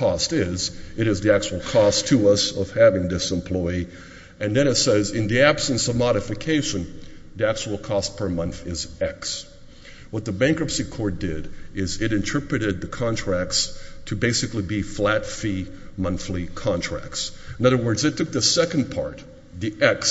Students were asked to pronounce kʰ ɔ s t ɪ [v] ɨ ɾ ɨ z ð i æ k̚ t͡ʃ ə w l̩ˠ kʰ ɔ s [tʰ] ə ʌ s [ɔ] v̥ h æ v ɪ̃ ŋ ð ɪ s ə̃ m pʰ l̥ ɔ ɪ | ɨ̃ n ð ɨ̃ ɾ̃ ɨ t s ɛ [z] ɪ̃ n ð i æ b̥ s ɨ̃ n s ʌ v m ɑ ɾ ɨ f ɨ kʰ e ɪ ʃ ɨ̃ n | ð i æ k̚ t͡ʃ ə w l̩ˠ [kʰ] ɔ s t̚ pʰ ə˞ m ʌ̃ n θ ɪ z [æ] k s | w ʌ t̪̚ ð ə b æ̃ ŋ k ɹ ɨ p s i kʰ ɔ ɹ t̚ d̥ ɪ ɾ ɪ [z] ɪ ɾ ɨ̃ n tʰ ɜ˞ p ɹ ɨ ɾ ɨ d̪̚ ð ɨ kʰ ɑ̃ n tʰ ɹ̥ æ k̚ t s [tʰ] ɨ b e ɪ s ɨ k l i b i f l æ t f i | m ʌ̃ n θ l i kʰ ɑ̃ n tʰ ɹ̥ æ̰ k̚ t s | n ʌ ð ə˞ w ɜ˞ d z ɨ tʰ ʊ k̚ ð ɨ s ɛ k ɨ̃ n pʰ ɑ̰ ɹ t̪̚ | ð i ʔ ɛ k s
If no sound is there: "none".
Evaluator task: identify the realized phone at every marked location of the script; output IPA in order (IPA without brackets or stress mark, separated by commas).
z, tʰ, ʌ, z, kʰ, ɛ, z, tʰ